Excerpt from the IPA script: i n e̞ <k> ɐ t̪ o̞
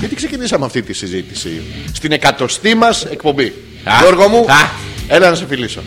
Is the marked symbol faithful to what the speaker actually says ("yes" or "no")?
yes